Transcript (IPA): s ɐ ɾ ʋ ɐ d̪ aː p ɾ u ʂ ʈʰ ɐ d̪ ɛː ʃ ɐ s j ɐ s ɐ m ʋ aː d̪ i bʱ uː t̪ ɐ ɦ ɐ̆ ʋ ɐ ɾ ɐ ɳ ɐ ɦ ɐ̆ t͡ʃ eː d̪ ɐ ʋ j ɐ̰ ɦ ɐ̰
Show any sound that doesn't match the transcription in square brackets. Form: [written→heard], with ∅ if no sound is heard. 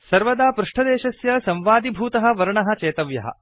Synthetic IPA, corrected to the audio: s ɐ ɾ ʋ ɐ d̪ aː p ɾ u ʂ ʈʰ ɐ d̪ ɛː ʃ ɐ s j ɐ s ɐ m ʋ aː d̪ i bʱ uː t̪ ɐ ɦ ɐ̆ ʋ ɐ ɾ ɐ ɳ ɐ ɦ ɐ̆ t͡ʃ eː [d̪→t̪] ɐ ʋ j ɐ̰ ɦ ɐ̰